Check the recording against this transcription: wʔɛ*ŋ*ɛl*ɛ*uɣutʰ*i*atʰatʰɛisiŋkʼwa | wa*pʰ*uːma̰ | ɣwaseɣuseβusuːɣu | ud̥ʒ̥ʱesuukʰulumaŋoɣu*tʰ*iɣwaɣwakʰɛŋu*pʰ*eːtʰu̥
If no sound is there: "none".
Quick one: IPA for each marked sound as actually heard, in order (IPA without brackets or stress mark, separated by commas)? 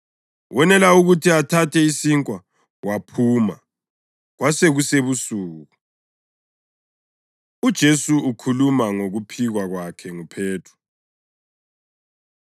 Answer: n, a, i, pʰ, pʰ, pʰ